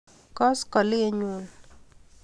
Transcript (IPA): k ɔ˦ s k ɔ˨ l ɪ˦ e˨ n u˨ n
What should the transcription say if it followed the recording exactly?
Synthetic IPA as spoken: k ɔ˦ s k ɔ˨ l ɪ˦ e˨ ɲ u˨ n